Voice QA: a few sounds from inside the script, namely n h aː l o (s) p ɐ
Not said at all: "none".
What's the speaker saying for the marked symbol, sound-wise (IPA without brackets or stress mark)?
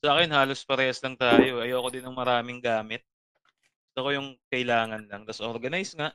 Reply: s